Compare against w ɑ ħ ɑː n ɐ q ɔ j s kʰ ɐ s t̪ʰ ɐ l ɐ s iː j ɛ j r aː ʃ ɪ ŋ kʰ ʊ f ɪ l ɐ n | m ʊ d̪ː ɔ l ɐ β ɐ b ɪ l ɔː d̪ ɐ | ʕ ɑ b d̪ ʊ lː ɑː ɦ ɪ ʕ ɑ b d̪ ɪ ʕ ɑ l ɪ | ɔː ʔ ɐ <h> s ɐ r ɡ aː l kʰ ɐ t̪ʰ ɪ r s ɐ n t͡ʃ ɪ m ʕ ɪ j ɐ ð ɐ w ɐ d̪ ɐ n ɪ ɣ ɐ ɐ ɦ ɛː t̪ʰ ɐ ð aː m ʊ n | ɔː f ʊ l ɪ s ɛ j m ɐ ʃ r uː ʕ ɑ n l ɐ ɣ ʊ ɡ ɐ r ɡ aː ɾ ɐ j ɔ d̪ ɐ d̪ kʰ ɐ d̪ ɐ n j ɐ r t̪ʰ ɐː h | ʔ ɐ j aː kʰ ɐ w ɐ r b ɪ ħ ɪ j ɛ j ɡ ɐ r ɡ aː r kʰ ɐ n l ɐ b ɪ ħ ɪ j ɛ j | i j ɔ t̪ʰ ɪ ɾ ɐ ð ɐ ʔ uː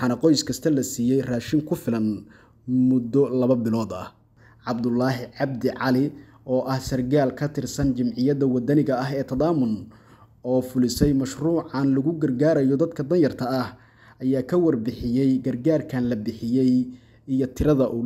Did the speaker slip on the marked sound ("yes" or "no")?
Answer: no